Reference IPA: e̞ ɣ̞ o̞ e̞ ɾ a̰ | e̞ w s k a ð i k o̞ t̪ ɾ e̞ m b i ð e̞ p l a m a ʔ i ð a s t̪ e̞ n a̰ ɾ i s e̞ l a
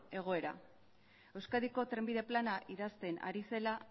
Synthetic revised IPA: e̞ ɣ̞ o̞ e̞ ɾ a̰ | e̞ w s k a ð i k o̞ t̪ ɾ e̞ m b i ð e̞ p l a n a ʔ i ð a s t̪ e̞ n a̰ ɾ i s e̞ l a